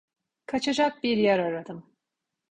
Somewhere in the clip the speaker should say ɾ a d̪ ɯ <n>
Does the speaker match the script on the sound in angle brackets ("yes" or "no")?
no